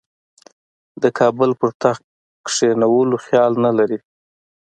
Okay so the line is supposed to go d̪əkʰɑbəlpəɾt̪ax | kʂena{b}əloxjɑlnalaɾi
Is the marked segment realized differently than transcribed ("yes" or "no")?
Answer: yes